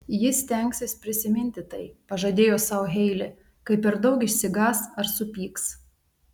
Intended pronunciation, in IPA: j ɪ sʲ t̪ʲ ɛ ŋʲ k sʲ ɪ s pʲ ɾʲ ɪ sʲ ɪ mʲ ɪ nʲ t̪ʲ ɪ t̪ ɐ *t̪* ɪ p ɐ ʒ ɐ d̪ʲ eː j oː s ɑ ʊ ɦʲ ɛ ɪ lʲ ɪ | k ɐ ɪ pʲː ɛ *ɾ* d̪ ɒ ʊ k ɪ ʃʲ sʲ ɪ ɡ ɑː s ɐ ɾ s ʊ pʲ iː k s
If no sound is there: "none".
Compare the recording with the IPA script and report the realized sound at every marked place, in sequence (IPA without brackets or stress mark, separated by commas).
none, ɾ